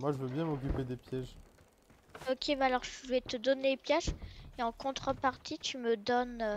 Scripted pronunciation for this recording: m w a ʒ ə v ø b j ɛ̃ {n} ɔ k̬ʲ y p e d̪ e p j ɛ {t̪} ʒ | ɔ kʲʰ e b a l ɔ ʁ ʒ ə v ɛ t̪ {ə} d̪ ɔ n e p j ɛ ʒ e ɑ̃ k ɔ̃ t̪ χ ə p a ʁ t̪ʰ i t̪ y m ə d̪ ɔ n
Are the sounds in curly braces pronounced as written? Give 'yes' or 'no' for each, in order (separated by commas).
no, no, yes